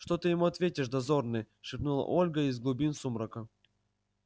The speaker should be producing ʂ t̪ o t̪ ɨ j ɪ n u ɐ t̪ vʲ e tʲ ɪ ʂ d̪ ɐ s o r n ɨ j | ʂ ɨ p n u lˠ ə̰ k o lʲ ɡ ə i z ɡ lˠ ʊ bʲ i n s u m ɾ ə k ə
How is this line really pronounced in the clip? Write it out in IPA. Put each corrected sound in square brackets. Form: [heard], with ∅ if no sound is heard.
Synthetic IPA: ʂ t̪ o t̪ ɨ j ɪ [m] u ɐ t̪ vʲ e tʲ ɪ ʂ d̪ ɐ [z] o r n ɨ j | ʂ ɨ p n u lˠ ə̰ [ʔ] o lʲ ɡ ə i z ɡ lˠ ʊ bʲ i n s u m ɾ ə k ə

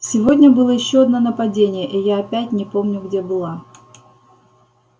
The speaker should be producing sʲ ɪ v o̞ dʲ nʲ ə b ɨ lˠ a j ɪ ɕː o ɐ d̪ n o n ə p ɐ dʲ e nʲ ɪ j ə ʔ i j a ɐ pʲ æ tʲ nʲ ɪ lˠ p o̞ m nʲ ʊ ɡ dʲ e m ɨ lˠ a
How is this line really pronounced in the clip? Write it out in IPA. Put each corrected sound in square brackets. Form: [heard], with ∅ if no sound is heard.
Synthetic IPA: sʲ ɪ v o̞ dʲ nʲ ə b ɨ lˠ [ə] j ɪ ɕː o ɐ d̪ n o n ə p ɐ dʲ e nʲ ɪ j ə ʔ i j a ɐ pʲ æ tʲ nʲ ɪ [∅] p o̞ m nʲ ʊ ɡ dʲ e [b] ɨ lˠ a

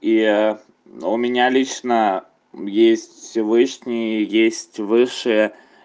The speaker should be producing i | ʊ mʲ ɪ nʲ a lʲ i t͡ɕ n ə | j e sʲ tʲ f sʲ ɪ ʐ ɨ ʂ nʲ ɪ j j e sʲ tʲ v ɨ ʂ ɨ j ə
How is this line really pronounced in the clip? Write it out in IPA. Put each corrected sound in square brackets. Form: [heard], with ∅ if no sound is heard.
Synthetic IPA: i | ʊ mʲ ɪ nʲ a lʲ i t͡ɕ n ə | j e sʲ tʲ f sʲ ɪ [v] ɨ ʂ nʲ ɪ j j e sʲ tʲ v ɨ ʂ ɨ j ə

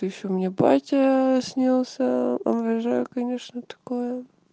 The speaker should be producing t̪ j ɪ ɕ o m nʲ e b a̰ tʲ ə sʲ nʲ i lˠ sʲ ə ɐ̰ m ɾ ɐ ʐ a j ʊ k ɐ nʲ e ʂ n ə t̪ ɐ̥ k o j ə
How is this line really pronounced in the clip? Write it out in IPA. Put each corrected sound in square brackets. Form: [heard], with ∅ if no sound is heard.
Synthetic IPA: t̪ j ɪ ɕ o m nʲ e b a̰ tʲ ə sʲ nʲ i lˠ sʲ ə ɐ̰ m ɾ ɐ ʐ a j ʊ k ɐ nʲ e ʂ n ə t̪ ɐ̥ k o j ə

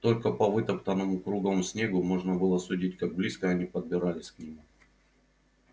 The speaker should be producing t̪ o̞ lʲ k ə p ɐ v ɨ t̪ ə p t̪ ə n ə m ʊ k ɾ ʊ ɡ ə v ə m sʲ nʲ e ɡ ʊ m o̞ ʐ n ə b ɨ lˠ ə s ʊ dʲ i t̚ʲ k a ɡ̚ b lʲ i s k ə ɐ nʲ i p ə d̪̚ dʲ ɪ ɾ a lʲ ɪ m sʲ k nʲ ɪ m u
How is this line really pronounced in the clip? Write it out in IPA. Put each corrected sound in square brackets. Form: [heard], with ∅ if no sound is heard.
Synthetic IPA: t̪ o̞ lʲ k ə p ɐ v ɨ t̪ ə p t̪ ə n ə m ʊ k ɾ [u] ɡ ə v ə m sʲ nʲ e ɡ ʊ m o̞ ʐ n ə b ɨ lˠ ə s ʊ dʲ i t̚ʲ k a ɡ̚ b lʲ i s k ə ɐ nʲ i p ə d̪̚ [bʲ] ɪ ɾ a lʲ ɪ [∅] sʲ k nʲ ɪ m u

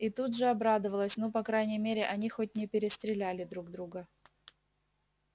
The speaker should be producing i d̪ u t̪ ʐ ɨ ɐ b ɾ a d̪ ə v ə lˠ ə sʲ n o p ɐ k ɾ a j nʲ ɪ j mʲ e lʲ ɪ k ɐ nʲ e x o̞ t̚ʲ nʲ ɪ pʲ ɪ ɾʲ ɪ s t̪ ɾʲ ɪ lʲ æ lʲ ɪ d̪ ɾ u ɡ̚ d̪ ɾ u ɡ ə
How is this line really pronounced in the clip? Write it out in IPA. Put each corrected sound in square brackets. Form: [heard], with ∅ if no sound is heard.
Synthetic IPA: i [t̪] u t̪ ʐ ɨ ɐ b ɾ a d̪ ə v ə lˠ ə sʲ n o p ɐ k ɾ a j nʲ ɪ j mʲ e [ɾʲ] ɪ [ʔ] ɐ nʲ [i] x o̞ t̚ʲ nʲ ɪ pʲ ɪ ɾʲ ɪ s t̪ ɾʲ ɪ lʲ æ lʲ ɪ d̪ ɾ u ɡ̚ d̪ ɾ u ɡ ə

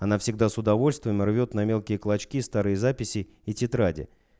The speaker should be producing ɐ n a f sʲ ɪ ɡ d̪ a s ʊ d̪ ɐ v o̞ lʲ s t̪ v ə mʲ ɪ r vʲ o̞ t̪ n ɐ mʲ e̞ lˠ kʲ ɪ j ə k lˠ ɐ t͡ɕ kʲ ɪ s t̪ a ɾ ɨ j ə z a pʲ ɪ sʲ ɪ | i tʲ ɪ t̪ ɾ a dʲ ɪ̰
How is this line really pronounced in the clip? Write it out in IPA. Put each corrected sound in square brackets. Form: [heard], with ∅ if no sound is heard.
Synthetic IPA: ɐ n a f sʲ ɪ ɡ d̪ a s ʊ d̪ ɐ v o̞ lʲ s t̪ v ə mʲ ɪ r vʲ o̞ t̪ n ɐ mʲ e̞ lˠ kʲ ɪ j ə k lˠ ɐ t͡ɕ kʲ [i] s t̪ a ɾ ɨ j ə z a pʲ ɪ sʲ ɪ | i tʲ ɪ t̪ ɾ a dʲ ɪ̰

